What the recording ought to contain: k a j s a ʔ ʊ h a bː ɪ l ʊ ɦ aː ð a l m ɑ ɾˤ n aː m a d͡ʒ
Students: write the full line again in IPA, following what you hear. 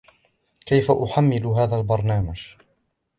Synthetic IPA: k a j f a ʔ ʊ ħ a mː ɪ l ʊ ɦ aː ð a l b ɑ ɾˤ n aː m a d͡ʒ